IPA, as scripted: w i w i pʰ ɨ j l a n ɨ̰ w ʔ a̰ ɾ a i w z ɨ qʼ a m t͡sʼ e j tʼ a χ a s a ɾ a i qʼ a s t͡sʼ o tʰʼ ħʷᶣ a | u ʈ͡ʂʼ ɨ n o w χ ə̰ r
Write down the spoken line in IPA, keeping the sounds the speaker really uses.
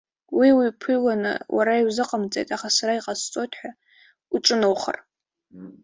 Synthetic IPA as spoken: w i w i pʰ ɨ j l a n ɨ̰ w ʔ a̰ ɾ a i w z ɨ qʼ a m t͡sʼ e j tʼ a χ a s a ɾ a i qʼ a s t͡sʼ o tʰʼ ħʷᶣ a | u ʈ͡ʂʼ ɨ n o w χ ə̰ r